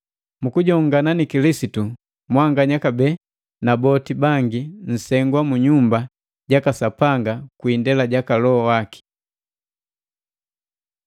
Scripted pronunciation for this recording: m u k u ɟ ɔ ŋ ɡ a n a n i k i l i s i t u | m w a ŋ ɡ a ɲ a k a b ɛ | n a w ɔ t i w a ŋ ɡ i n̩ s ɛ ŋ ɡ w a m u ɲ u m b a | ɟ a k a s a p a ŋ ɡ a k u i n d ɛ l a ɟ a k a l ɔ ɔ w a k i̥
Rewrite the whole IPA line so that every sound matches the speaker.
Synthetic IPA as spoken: m u k u ɟ ɔ ŋ ɡ a n a n i k i l i s i t u | m w a ŋ ɡ a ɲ a k a b ɛ | n a b ɔ t i b a ŋ ɡ i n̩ s ɛ ŋ ɡ w a m u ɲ u m b a | ɟ a k a s a p a ŋ ɡ a k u i n d ɛ l a ɟ a k a l ɔ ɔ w a k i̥

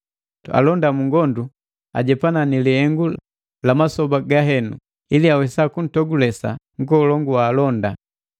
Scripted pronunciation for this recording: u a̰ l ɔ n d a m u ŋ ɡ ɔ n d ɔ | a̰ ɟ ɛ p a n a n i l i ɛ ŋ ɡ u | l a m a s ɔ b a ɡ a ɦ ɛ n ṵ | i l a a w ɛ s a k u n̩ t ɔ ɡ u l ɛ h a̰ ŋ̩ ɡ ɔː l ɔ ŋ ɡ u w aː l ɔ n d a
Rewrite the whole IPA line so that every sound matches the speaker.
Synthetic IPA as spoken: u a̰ l ɔ n d a m u ŋ ɡ ɔ n d u | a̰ ɟ ɛ p a n a n i l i ɛ ŋ ɡ u | l a m a s ɔ b a ɡ a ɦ ɛ n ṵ | i l i a w ɛ s a k u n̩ t ɔ ɡ u l ɛ s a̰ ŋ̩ ɡ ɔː l ɔ ŋ ɡ u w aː l ɔ n d a

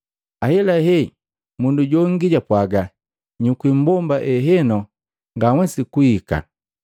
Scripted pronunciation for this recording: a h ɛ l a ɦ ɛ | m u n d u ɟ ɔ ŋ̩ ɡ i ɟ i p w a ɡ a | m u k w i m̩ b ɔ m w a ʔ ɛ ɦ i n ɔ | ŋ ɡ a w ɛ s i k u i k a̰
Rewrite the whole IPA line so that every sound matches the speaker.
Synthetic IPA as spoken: a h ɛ l a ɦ ɛ | m u n d u ɟ ɔ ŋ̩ ɡ i ɟ a p w a ɡ a | ɲ u k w i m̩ b ɔ m b a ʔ ɛ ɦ ɛ n ɔ | ŋ ɡ a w ɛ s i k u i k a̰

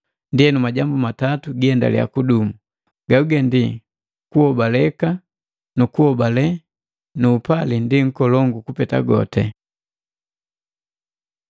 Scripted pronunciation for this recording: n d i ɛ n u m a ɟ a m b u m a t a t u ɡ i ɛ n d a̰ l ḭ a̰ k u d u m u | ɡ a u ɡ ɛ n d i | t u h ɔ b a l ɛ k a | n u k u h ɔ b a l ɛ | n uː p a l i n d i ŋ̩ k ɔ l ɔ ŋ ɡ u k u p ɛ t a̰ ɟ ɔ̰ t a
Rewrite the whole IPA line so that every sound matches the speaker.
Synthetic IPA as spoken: n d i ɛ n u m a ɟ a m b u m a t a t u ɡ i ɛ n d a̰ l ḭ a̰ k u d u m u | ɡ a u ɡ ɛ n d i | k u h ɔ b a l ɛ k a | n u k u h ɔ b a l ɛ | n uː p a l i n d i ŋ̩ k ɔ l ɔ ŋ ɡ u k u p ɛ t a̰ ɡ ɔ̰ t ɛ

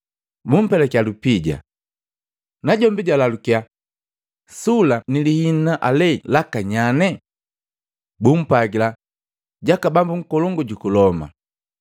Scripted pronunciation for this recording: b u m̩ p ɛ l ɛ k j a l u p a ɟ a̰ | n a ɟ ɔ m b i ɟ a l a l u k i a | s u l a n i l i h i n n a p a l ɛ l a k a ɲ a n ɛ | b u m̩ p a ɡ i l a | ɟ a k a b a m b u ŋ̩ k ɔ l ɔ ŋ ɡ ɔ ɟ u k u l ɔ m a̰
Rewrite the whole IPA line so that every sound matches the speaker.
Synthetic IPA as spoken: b u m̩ p ɛ l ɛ k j a l u p i ɟ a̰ | n a ɟ ɔ m b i ɟ a l a l u k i a | s u l a n i l i h i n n a ʔ a l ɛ l a k a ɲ a n ɛ | b u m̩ p a ɡ i l a | ɟ a k a b a m b u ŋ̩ k ɔ l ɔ ŋ ɡ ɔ ɟ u k u l ɔ m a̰

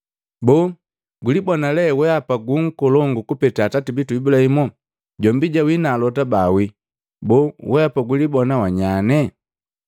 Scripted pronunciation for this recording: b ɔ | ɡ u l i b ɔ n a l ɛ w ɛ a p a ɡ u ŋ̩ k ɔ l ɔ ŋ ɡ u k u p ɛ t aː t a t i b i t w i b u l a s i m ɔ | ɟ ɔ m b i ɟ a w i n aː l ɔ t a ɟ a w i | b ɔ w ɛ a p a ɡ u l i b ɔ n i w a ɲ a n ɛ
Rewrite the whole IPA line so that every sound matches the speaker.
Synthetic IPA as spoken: b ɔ | ɡ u l i b ɔ n a l ɛ w ɛ a p a ɡ u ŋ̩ k ɔ l ɔ ŋ ɡ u k u p ɛ t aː t a t i b i t u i b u l a h i m ɔ | ɟ ɔ m b i ɟ a w i n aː l ɔ t a b a w i | b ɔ w ɛ a p a ɡ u l i b ɔ n a w a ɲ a n ɛ

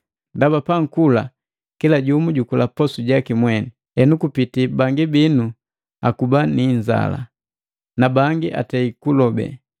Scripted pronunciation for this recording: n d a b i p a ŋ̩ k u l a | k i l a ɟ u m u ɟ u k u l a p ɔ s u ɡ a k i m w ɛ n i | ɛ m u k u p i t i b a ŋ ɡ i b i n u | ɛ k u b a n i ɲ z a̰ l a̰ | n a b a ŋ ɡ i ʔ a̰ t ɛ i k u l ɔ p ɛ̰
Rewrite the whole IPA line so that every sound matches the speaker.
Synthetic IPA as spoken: n d a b a p a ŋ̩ k u l a | k i l a ɟ u m u ɟ u k u l a p ɔ s u ɟ a k i m w ɛ n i | ɛ n u k u p i t i b a ŋ ɡ i b i n u | a k u b a n i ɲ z a̰ l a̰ | n a b a ŋ ɡ i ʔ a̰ t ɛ i k u l ɔ b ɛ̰

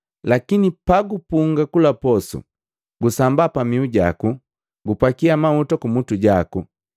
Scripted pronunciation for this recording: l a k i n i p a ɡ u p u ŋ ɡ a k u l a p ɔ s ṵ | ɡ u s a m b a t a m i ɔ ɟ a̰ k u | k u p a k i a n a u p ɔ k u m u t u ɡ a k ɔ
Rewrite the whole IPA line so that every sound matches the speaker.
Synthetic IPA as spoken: l a k i n i p a ɡ u p u ŋ ɡ a k u l a p ɔ s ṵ | ɡ u s a m b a p a m i u ɟ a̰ k u | ɡ u p a k i a m a u t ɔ k u m u t u ɟ a k u

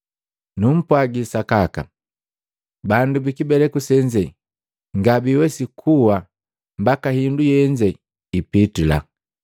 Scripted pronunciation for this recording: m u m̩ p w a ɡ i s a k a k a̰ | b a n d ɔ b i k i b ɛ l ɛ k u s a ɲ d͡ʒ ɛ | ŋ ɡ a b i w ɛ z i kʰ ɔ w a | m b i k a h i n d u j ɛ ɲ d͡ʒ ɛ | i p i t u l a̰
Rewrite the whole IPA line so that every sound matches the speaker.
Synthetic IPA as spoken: n u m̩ p w a ɡ i s a k a k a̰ | b a n d u b i k i b ɛ l ɛ k u s ɛ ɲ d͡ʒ ɛ | ŋ ɡ a b i w ɛ s i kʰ u w a | m b a k a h i n d u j ɛ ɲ d͡ʒ ɛ | i p i t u l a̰

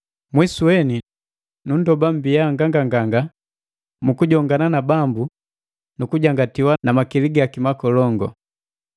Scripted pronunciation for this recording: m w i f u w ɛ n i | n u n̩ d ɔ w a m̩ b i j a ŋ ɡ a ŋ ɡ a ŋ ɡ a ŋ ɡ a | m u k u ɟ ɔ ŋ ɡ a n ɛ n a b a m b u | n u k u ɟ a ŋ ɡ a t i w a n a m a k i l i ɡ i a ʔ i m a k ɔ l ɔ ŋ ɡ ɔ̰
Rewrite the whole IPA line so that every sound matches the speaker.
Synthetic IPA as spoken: m w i s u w ɛ n i | n u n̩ d ɔ b a m̩ b i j a ŋ ɡ a ŋ ɡ a ŋ ɡ a ŋ ɡ a | m u k u ɟ ɔ ŋ ɡ a n a n a b a m b u | n u k u ɟ a ŋ ɡ a t i w a n a m a k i l i ɡ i a k i m a k ɔ l ɔ ŋ ɡ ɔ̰

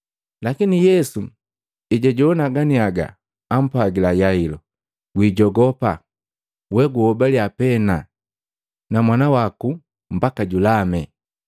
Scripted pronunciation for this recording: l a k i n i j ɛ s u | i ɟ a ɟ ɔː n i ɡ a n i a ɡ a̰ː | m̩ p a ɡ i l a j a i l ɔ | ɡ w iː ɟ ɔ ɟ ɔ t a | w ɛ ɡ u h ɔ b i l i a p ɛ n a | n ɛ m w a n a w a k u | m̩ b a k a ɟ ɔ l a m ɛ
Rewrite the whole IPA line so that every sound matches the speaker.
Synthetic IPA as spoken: l a k i n i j ɛ s u | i ɟ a ɟ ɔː n a ɡ a n i a ɡ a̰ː | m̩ p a ɡ i l a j a i l ɔ | ɡ w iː ɟ ɔ ɡ ɔ p a | w ɛ ɡ u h ɔ b a l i a p ɛ n a | n a m w a n a w a k u | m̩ b a k a ɟ u l a m ɛ

